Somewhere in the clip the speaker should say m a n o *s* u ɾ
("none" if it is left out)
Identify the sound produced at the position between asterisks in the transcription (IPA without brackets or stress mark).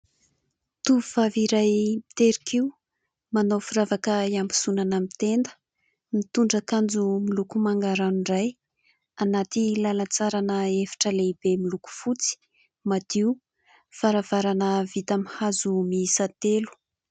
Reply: f